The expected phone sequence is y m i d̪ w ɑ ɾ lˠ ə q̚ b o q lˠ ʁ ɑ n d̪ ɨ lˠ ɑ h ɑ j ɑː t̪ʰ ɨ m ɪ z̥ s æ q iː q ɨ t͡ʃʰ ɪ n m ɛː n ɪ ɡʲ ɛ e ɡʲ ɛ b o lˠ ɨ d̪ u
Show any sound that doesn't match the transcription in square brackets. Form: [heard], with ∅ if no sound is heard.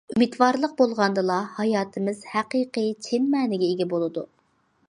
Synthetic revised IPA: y m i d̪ w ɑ ɾ lˠ ə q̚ b o [∅] lˠ ʁ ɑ n d̪ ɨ lˠ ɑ h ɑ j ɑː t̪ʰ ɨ m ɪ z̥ [h] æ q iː q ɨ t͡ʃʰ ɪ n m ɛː n ɪ ɡʲ ɛ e ɡʲ ɛ b o lˠ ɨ d̪ u